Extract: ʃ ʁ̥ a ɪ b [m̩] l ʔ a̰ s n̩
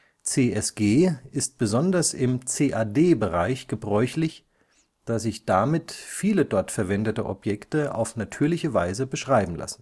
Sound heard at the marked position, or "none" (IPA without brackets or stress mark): m̩